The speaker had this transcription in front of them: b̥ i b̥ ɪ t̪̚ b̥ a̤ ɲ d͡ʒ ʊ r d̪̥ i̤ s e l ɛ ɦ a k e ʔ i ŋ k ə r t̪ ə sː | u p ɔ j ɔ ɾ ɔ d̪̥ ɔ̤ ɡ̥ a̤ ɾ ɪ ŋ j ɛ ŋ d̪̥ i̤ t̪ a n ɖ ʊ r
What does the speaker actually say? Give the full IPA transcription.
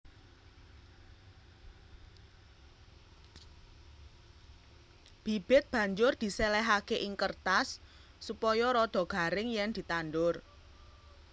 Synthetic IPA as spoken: b̥ i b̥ ɪ t̪̚ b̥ a̤ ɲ d͡ʒ ʊ r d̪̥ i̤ s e l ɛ ɦ a k e ʔ i ŋ k ə r t̪ a sː | u p ɔ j ɔ ɾ ɔ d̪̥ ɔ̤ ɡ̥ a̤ ɾ ɪ ŋ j ɛ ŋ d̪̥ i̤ t̪ a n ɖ ʊ r